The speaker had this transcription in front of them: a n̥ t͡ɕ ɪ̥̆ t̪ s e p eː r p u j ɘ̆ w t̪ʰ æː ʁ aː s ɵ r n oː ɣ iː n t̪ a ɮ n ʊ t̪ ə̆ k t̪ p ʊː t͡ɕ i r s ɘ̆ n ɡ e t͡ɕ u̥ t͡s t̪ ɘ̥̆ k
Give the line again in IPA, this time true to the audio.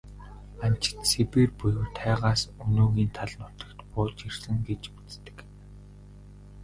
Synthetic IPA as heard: a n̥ t͡ɕ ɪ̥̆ t̪ s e p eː r p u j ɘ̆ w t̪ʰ æː ʁ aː s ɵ n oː ɣ iː n t̪ʰ a ɮ n ʊ t̪ ə̆ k t̪ p ʊː t͡ɕ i r s ɘ̆ ŋ ɡ e t͡ɕ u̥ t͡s t̪ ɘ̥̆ k